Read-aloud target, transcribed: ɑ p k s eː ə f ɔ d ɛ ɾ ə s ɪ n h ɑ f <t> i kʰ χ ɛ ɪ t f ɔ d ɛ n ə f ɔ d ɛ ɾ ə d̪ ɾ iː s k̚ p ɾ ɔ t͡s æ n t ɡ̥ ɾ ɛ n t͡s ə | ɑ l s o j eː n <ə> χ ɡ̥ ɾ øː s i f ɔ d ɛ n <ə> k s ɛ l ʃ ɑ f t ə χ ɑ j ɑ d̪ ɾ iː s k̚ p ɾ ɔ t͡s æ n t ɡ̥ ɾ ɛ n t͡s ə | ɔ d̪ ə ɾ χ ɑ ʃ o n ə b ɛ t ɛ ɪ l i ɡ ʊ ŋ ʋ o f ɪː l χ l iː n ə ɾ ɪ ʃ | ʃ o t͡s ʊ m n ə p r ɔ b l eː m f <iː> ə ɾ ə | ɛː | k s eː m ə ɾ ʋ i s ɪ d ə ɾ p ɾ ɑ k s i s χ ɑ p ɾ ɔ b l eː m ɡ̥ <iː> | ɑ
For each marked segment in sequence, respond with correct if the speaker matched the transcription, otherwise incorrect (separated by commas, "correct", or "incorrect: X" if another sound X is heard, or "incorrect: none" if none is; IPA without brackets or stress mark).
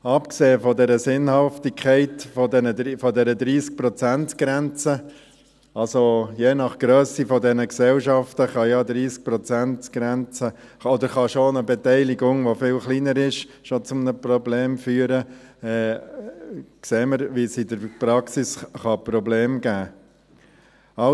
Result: correct, incorrect: ɑ, correct, incorrect: yː, incorrect: æː